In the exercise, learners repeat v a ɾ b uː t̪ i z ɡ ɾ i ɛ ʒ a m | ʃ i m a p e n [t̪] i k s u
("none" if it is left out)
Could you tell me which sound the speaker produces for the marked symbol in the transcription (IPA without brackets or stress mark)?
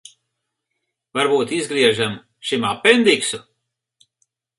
d̪